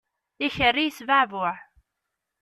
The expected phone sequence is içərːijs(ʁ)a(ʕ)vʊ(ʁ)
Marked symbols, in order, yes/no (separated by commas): no, yes, no